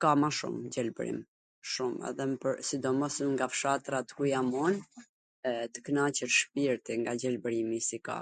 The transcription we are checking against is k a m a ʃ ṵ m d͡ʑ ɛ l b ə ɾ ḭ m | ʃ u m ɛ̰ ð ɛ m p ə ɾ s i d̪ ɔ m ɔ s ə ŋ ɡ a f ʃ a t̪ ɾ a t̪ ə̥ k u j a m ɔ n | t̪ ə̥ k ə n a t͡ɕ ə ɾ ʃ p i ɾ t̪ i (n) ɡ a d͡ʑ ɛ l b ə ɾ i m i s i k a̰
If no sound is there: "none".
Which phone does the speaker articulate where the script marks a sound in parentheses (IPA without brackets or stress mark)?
ŋ